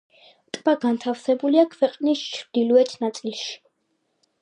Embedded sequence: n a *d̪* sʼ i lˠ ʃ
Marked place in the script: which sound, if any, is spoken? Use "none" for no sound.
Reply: t̪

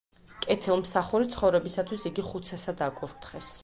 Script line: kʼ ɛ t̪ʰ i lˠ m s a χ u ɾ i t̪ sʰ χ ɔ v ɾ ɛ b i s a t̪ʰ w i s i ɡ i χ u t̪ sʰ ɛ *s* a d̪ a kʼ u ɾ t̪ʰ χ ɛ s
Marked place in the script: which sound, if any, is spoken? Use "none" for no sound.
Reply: s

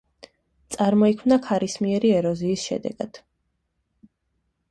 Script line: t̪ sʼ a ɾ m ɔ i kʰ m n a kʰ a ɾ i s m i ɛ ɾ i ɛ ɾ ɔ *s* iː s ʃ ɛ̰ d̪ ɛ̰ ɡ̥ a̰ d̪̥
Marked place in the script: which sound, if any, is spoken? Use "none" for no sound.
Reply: z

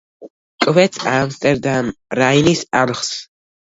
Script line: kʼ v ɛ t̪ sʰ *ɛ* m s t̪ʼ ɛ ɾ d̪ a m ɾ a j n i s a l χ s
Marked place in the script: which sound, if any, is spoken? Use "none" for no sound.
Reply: a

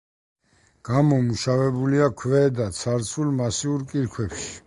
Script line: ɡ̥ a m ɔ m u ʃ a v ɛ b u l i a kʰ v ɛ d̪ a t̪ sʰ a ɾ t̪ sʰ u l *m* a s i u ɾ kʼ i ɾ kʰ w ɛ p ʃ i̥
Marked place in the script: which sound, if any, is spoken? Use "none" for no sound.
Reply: m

